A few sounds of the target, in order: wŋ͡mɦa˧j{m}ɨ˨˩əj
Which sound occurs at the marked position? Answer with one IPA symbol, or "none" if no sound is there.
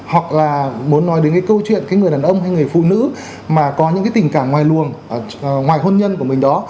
ŋ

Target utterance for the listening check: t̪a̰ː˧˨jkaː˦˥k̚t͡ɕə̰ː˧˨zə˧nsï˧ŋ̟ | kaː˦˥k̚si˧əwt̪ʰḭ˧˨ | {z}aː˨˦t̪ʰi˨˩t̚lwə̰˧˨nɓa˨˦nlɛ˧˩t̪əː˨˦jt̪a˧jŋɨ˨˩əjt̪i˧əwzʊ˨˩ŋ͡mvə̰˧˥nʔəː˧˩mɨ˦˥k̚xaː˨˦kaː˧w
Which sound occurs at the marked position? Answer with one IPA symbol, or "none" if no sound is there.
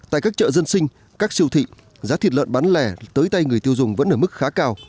z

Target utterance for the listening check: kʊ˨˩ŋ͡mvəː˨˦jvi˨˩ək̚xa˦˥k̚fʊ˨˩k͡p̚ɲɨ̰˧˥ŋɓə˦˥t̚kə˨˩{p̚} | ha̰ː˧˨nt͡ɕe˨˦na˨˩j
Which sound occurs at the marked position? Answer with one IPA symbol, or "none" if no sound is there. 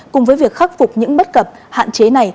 p̚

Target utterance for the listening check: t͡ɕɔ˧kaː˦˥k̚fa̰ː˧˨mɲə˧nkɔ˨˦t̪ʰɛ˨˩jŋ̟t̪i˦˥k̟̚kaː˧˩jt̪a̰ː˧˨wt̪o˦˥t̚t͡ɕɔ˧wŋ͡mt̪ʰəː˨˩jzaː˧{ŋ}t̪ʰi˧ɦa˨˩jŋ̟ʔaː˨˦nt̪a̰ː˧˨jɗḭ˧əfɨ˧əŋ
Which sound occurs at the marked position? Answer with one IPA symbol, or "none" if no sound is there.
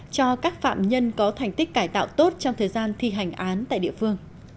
n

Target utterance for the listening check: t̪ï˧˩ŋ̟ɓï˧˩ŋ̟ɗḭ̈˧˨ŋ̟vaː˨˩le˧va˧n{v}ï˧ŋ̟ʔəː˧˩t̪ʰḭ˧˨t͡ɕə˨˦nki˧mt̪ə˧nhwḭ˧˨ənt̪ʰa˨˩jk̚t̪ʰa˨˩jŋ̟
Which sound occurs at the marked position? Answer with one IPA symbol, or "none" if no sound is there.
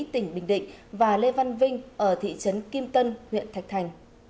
v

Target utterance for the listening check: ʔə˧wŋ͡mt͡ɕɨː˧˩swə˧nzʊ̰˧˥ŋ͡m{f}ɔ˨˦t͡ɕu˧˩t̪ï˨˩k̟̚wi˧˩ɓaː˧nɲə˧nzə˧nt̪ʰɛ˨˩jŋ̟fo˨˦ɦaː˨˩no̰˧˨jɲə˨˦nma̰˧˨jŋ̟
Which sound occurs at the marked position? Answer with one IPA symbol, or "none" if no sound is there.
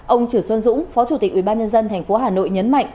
f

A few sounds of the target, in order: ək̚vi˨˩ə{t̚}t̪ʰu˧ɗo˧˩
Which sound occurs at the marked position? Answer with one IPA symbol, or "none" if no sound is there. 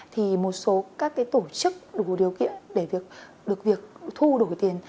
k̚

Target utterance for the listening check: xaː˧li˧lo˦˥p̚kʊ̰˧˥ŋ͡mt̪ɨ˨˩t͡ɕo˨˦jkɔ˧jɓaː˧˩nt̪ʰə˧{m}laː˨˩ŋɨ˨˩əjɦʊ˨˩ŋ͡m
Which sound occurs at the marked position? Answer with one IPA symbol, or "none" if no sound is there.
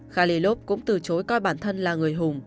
n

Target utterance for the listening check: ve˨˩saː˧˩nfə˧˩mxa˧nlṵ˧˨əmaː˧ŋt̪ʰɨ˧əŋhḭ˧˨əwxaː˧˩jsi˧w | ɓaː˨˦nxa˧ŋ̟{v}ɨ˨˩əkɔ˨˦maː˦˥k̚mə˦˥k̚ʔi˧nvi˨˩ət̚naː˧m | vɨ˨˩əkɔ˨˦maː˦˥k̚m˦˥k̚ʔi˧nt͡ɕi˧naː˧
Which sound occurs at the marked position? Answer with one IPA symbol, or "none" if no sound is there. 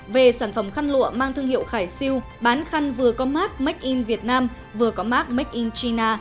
v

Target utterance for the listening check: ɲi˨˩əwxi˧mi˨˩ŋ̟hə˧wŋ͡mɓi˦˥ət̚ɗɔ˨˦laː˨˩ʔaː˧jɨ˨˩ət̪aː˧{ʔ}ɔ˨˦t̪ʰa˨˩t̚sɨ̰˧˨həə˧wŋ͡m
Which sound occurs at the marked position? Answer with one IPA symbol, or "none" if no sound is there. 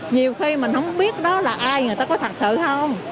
k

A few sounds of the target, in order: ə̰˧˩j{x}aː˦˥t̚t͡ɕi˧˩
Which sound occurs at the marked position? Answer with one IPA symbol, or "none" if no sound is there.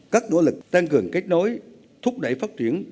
f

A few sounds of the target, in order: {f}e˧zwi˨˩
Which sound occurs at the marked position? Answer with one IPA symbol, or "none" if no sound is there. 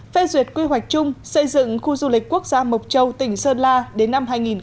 f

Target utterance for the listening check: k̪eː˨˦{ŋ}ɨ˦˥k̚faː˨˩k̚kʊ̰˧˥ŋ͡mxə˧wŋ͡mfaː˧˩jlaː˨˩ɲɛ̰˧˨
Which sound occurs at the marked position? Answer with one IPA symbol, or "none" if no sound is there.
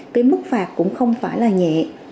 m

